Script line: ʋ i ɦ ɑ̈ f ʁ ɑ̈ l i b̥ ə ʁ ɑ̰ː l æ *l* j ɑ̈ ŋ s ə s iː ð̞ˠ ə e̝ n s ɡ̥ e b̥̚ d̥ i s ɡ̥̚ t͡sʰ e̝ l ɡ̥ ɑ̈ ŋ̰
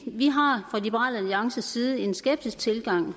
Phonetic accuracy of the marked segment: correct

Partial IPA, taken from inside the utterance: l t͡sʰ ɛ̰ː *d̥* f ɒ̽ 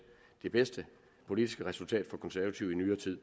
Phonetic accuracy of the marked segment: correct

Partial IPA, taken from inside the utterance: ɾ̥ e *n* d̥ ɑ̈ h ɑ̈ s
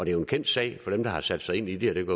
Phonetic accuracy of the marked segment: incorrect: m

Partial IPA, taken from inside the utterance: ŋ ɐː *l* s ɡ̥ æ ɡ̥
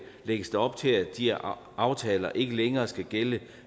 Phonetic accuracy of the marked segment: incorrect: none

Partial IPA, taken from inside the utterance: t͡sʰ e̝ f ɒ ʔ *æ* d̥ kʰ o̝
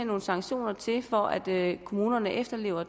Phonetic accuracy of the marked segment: correct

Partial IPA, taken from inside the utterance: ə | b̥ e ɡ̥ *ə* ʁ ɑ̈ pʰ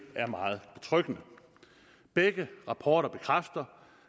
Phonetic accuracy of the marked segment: correct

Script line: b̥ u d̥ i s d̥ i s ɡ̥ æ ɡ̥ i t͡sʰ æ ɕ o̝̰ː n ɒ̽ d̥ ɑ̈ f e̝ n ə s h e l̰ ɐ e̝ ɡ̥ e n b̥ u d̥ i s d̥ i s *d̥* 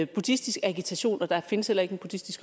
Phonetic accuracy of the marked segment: incorrect: ɡ̥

